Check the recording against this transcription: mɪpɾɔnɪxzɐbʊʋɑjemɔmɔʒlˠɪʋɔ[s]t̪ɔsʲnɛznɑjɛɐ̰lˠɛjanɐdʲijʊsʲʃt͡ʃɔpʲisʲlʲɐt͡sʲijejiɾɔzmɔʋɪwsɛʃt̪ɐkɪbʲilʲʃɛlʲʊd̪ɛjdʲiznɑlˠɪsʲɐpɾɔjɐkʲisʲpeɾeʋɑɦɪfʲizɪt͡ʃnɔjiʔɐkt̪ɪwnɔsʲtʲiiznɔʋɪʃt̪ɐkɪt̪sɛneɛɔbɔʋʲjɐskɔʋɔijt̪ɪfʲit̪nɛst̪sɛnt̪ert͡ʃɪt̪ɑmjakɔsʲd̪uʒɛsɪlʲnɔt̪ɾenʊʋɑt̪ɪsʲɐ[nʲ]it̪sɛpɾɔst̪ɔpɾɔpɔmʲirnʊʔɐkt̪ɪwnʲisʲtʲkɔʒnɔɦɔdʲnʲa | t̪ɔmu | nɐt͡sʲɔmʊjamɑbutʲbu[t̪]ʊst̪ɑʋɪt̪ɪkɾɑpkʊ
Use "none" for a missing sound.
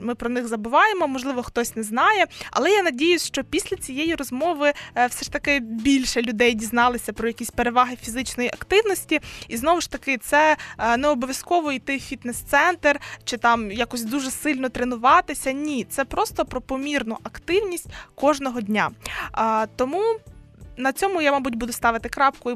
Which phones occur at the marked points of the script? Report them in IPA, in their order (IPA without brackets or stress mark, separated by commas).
x, nʲ, d̪